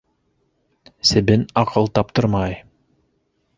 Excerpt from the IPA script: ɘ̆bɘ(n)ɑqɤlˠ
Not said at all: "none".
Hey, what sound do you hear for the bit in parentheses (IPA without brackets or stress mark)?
n